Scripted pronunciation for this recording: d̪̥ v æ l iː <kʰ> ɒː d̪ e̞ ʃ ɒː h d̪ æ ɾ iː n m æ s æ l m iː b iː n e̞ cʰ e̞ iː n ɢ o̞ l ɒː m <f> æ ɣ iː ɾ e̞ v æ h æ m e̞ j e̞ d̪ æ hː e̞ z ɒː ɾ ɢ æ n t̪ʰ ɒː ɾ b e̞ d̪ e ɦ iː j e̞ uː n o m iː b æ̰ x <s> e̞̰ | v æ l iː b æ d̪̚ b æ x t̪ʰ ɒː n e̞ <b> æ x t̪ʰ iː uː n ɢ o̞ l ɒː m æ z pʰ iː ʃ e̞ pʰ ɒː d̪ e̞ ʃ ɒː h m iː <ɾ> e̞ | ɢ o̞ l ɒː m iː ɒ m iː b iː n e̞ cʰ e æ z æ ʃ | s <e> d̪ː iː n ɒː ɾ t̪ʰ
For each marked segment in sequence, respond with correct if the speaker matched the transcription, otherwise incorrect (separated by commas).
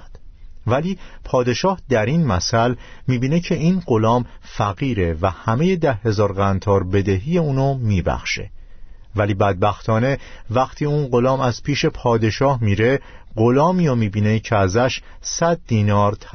incorrect, correct, incorrect, incorrect, correct, incorrect